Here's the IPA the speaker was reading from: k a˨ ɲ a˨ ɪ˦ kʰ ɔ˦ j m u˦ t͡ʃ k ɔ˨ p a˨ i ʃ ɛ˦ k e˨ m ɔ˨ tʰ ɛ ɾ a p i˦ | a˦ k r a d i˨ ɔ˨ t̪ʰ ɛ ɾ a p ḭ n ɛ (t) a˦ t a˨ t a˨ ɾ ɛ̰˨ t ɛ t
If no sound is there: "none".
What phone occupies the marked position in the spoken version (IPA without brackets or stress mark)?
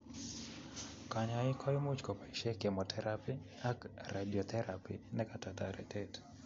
k